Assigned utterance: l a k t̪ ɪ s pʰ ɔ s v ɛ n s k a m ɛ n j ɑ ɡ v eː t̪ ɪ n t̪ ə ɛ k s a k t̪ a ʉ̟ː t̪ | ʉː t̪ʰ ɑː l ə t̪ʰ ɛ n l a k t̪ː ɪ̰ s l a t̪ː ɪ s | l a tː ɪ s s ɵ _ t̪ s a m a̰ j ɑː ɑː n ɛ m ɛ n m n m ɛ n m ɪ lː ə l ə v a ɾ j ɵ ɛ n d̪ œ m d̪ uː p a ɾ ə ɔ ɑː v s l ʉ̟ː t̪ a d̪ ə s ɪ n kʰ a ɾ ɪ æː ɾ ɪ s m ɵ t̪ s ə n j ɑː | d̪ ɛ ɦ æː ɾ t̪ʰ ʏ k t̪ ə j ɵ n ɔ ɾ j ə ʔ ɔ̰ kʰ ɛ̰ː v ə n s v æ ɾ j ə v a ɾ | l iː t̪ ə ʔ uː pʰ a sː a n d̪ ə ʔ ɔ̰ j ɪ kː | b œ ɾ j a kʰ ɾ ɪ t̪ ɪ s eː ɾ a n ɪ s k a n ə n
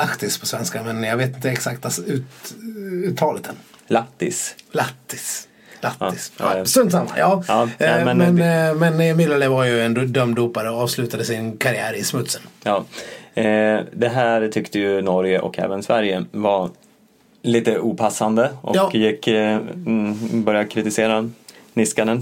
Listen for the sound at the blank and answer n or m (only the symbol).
n